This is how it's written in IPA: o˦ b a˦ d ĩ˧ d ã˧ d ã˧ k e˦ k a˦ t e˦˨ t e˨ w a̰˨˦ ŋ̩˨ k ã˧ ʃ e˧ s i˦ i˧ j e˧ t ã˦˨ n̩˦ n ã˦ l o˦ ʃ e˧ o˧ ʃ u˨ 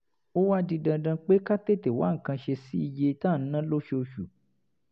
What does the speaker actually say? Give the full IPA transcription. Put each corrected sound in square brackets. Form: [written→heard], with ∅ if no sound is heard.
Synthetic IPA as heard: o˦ [b→w] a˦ d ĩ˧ d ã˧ d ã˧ [k→k͡p] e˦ k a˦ t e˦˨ t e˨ w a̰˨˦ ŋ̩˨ k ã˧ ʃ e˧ s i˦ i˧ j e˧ t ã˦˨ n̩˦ n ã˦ l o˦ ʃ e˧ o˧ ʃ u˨